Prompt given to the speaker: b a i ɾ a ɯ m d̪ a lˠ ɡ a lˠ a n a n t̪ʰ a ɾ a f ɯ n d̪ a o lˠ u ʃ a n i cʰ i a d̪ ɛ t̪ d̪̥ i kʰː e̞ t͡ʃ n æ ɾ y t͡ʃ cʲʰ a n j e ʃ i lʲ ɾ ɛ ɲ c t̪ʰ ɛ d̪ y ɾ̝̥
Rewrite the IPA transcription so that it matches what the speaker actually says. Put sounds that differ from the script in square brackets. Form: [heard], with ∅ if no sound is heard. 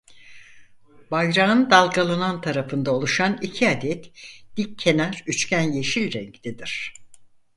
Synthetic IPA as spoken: b a [j] ɾ a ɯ [n] d̪ a lˠ ɡ a lˠ a n a n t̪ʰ a ɾ a f ɯ n d̪ a o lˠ u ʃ a n i cʰ i a d̪ ɛ t̪ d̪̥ i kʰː e̞ [∅] n æ ɾ y t͡ʃ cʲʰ [æ] n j e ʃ i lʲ ɾ ɛ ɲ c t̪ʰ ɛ d̪ [i] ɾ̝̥